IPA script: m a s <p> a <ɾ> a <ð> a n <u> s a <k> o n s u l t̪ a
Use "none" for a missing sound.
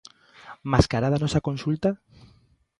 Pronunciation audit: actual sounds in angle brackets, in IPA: k, ɾ, ð, ɔ, k

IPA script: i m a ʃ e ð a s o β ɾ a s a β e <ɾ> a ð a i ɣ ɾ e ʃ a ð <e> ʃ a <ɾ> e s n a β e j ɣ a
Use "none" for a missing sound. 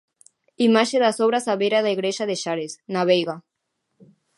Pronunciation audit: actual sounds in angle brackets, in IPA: ɾ, e, ɾ

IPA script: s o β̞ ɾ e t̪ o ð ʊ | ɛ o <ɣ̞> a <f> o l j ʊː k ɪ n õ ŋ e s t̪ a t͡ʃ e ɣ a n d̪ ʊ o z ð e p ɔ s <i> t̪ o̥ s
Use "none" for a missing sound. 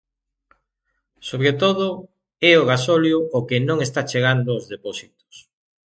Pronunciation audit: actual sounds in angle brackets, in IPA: ɣ̞, s, i

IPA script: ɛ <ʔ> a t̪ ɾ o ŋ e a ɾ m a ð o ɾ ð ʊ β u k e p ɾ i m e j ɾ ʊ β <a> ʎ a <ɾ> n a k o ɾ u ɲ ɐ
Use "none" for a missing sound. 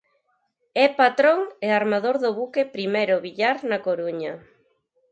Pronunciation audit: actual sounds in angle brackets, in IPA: p, i, ɾ

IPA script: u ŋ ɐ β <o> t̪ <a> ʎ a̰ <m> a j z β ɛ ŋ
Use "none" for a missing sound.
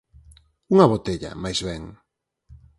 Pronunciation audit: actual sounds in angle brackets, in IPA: o, e, m

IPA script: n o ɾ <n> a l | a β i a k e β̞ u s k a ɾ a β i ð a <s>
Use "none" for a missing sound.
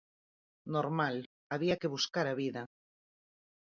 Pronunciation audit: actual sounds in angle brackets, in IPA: m, none

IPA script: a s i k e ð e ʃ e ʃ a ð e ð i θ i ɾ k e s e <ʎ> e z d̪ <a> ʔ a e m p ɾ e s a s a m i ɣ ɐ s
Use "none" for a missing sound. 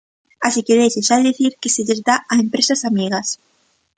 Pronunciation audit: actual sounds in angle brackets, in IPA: ʎ, a

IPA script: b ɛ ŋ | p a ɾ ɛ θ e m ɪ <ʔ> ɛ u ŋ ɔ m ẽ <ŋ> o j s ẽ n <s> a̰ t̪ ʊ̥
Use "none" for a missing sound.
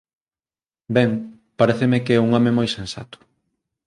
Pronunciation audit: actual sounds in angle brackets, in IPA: k, m, s

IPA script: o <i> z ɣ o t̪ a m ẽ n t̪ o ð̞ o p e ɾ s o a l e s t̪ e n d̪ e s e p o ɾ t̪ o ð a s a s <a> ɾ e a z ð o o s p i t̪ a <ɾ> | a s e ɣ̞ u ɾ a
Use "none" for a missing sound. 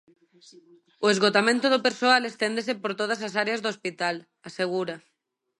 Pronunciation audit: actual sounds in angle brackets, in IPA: e, a, l

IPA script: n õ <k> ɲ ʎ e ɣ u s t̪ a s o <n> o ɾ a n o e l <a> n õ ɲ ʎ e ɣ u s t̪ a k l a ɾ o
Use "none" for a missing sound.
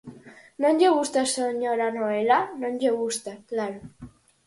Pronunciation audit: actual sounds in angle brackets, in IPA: none, ɲ, a

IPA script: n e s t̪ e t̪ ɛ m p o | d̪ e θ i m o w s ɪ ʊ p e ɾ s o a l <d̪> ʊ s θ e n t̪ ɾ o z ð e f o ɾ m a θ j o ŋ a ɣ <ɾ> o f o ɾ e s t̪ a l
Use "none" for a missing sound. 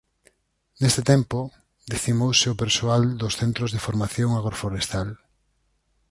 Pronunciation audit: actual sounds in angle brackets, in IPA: d̪, ɾ

